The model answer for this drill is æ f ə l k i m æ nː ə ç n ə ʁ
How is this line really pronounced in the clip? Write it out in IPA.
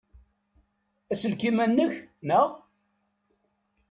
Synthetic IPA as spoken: æ s ə l k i m æ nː ə ç n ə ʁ

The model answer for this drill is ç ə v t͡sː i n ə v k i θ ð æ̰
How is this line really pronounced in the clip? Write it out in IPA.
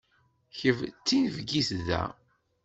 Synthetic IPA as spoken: ç ə v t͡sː i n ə v ɡ i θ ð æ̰

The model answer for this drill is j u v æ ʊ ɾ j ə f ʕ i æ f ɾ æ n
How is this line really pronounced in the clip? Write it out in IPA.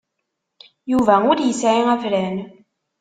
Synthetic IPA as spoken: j u v æ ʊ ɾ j ə s ʕ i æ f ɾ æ n

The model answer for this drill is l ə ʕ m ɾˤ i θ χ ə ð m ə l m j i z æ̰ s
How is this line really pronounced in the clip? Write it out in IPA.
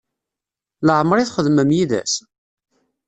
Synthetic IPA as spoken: l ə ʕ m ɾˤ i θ χ ə ð m ə m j i ð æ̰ s

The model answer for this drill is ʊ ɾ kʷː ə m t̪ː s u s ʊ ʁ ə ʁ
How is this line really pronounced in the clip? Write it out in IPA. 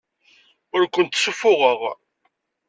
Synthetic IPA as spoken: ʊ ɾ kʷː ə n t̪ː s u f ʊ ʁ ə ʁ

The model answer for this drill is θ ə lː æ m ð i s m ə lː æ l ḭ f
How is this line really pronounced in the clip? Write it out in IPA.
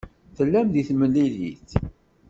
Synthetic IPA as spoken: θ ə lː æ m ð i θ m ə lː i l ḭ θ

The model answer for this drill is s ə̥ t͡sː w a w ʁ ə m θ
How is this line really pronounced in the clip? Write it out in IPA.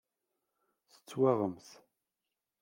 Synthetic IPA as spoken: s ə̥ t͡sː w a ʁ ə m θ

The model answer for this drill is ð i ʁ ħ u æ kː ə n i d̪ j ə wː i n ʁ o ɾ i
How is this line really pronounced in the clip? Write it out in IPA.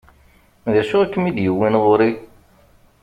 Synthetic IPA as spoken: ð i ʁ ʃ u æ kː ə m i d̪ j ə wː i n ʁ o ɾ i

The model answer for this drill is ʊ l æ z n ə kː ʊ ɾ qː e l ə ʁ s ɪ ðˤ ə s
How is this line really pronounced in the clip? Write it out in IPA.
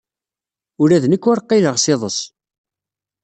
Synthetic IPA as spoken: ʊ ɾ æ ð n ə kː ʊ ɾ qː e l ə ʁ s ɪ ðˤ ə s

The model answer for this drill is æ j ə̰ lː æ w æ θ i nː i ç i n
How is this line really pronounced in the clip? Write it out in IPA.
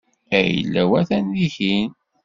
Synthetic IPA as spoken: æ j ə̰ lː æ w æ θ æ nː i ç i n

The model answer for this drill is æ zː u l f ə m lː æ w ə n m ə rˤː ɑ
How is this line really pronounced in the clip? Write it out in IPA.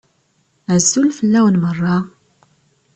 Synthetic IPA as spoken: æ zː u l f ə lː æ w ə n m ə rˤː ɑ

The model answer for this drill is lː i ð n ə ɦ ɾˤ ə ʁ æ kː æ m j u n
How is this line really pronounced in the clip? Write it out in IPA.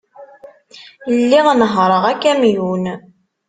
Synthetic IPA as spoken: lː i ʁ n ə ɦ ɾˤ ə ʁ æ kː æ m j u n

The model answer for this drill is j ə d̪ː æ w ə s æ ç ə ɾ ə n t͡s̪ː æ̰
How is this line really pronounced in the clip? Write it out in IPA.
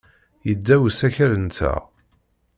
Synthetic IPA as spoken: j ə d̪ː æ w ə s æ ç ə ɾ ə n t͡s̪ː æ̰

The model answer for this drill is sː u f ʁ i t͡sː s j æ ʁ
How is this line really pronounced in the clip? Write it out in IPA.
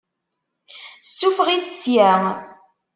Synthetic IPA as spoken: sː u f ʁ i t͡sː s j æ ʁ

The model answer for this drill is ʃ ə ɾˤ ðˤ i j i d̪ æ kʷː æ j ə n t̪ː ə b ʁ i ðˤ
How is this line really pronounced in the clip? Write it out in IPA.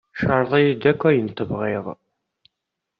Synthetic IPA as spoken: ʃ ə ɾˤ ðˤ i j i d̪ æ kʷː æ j ə n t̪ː ə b ʁ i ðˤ

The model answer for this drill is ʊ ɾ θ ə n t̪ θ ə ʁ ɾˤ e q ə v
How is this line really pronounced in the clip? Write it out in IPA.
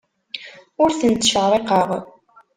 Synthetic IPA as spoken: ʊ ɾ θ ə n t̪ ʃ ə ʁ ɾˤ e q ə ʁ

